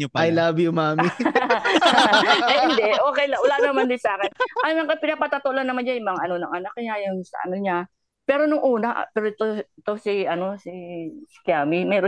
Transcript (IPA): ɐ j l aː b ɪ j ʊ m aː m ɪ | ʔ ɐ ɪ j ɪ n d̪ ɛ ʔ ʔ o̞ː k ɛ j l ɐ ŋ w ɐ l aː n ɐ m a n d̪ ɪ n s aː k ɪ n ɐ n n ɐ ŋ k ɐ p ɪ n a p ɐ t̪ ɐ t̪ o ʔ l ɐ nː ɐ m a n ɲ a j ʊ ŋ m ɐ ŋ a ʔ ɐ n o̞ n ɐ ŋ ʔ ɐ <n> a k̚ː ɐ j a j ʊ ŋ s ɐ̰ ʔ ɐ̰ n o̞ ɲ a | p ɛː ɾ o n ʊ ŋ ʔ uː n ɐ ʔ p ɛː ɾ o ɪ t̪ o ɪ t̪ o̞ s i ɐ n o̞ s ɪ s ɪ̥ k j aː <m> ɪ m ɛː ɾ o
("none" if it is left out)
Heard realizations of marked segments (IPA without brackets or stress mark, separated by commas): n, m